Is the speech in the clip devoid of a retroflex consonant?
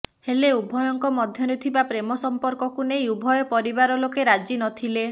yes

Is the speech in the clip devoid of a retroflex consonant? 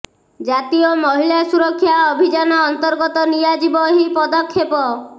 yes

